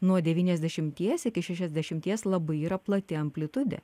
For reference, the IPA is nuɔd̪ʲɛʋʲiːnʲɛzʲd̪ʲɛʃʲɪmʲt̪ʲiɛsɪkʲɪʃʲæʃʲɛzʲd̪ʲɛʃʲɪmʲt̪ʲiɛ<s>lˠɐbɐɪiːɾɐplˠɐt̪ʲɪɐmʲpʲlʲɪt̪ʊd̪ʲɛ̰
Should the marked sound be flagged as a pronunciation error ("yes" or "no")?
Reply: no